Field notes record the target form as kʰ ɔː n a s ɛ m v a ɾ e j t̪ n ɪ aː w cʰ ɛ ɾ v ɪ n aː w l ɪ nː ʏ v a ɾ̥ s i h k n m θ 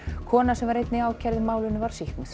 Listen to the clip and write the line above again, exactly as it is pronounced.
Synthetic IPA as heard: kʰ ɔː n a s ɛ m v a ɾ e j t̪ n ɪ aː w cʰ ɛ ɾ ð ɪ m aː w l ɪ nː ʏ v a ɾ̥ s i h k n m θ